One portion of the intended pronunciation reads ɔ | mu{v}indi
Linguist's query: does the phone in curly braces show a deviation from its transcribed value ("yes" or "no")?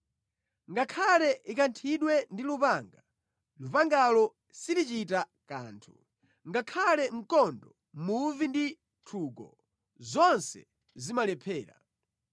no